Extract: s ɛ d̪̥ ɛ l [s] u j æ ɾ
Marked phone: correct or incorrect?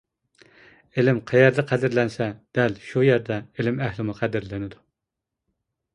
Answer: incorrect